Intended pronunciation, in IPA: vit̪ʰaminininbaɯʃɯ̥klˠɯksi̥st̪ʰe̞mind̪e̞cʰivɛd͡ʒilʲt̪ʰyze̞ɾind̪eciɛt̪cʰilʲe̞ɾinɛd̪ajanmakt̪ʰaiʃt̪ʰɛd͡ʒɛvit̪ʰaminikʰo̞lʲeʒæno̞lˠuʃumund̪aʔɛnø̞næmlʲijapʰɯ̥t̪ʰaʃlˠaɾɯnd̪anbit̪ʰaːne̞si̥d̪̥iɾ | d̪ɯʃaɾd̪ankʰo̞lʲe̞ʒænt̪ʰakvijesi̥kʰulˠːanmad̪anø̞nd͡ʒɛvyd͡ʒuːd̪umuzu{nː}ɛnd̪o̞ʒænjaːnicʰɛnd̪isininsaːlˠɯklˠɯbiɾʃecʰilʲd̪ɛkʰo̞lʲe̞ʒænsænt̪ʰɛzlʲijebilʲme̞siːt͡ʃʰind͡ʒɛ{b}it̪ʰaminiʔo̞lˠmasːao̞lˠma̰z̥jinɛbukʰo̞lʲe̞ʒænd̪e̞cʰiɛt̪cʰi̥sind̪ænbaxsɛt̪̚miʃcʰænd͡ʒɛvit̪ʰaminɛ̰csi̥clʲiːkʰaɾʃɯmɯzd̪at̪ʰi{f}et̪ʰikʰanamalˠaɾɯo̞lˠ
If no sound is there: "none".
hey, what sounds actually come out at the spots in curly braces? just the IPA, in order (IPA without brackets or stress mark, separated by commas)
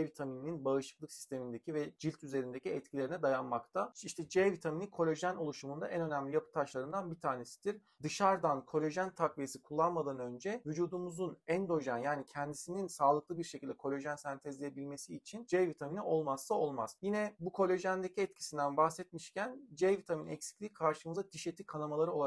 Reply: n, v, ʃ